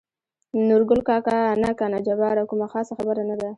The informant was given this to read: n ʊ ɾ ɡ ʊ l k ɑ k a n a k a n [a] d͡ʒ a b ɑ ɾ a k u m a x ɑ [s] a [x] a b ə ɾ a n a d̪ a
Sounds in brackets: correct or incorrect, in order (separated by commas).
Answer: correct, correct, correct